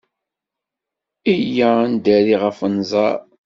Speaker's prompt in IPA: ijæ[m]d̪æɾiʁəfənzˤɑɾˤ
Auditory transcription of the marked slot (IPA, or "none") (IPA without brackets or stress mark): n